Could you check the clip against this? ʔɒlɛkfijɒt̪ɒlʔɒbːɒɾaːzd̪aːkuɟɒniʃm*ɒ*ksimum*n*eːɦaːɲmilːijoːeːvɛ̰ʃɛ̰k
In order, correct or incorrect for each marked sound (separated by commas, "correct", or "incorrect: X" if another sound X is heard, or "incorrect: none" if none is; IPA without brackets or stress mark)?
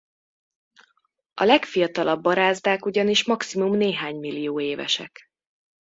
correct, correct